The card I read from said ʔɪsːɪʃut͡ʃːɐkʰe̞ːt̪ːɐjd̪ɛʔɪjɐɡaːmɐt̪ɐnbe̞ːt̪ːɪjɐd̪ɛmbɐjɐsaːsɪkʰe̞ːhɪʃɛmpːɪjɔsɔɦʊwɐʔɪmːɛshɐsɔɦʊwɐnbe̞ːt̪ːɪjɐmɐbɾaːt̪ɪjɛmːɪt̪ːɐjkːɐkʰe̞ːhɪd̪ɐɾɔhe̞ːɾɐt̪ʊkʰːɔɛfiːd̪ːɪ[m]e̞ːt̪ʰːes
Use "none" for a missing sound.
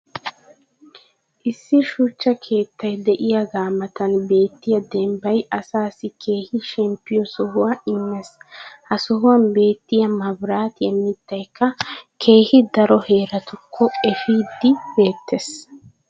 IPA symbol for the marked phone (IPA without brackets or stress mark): b